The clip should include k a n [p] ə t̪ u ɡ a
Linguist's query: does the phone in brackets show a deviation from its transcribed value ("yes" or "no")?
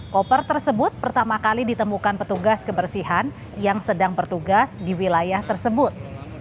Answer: no